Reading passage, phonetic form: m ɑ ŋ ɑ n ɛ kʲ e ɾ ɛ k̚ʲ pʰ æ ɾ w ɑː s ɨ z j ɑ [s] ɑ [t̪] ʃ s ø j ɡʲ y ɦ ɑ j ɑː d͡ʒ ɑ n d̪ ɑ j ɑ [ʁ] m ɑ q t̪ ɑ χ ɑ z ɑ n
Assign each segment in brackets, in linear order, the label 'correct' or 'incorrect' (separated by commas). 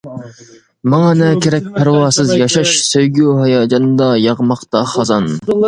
incorrect, incorrect, correct